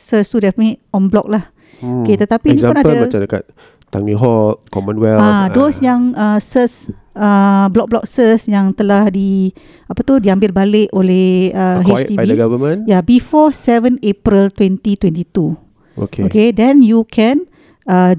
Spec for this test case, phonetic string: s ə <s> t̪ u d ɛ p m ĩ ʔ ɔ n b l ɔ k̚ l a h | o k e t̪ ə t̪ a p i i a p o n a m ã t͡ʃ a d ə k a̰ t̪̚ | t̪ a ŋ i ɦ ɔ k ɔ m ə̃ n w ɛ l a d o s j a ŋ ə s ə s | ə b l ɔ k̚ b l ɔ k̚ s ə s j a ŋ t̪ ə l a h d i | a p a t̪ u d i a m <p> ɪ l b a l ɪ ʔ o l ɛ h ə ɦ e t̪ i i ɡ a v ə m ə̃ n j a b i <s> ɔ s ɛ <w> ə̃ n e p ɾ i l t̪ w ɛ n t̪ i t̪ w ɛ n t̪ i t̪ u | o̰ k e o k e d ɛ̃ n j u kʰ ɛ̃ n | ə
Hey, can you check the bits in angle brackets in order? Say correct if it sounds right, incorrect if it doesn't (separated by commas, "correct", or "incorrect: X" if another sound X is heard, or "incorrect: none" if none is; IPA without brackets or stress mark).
correct, incorrect: b, incorrect: f, incorrect: v